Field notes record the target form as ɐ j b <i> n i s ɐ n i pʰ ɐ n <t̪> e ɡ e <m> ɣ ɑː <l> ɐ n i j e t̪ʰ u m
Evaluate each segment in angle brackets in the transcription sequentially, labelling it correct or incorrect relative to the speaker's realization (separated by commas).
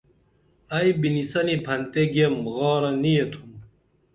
correct, correct, correct, incorrect